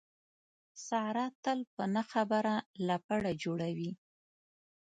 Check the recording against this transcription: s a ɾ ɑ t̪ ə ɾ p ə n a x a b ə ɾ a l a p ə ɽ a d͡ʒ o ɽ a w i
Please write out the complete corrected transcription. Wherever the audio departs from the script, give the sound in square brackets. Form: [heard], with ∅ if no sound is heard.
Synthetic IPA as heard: s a ɾ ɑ t̪ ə [l] p ə n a x a b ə ɾ a l a p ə ɽ a d͡ʒ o ɽ a w i